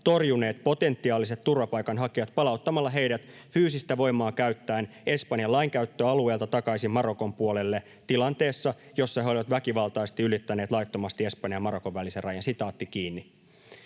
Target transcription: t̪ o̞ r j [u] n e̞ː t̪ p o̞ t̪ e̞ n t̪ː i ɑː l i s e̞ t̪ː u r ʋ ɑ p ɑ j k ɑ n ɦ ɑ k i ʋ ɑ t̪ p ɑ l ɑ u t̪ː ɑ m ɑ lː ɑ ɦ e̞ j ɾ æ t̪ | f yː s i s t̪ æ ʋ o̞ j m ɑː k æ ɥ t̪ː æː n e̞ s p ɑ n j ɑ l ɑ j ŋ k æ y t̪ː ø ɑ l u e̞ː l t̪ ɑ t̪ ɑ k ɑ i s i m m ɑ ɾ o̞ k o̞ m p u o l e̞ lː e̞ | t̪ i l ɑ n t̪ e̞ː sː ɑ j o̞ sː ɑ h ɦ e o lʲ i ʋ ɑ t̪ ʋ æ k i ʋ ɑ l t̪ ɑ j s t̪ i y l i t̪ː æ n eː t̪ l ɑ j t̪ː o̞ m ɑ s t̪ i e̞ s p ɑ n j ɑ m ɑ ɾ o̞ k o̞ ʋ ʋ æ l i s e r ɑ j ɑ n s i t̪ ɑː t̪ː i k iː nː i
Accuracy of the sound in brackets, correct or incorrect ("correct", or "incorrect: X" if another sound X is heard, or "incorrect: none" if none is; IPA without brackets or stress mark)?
correct